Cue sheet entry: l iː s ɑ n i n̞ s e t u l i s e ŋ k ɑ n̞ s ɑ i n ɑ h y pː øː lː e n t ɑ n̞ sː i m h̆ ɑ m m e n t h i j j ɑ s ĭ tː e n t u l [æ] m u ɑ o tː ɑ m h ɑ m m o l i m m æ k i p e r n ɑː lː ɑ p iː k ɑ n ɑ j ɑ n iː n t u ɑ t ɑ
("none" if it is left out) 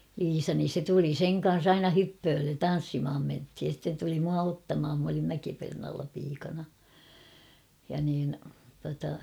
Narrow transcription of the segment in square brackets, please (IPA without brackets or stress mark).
i